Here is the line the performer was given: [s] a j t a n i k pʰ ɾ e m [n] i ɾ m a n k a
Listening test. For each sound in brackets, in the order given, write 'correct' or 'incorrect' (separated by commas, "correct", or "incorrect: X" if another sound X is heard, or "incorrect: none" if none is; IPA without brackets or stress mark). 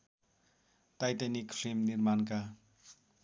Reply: incorrect: t, correct